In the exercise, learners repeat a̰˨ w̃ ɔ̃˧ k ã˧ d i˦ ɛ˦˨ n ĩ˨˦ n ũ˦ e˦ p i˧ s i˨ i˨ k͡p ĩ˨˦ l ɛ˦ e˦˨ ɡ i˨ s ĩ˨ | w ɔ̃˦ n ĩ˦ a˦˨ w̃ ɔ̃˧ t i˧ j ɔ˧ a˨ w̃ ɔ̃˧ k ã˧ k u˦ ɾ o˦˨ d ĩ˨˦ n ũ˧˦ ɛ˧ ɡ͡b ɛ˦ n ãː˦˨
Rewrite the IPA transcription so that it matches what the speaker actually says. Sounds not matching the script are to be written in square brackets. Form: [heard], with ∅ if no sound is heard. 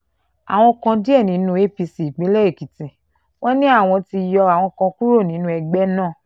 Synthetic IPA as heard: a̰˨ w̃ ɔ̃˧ k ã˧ d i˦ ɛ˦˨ n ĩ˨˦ n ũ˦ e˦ p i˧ s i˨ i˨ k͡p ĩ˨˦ l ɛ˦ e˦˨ [k] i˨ [t] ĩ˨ | w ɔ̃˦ n ĩ˦ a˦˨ w̃ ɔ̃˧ t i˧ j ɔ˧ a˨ w̃ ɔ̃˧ k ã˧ k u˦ ɾ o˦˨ [n] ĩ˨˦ n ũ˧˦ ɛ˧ ɡ͡b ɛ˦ n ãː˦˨